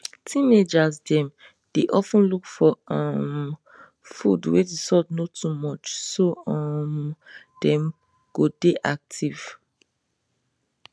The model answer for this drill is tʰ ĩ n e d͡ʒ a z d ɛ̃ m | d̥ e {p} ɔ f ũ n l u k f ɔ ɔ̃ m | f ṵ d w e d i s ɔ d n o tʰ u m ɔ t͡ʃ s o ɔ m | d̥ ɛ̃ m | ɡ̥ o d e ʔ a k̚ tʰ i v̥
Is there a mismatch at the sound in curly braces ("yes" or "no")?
yes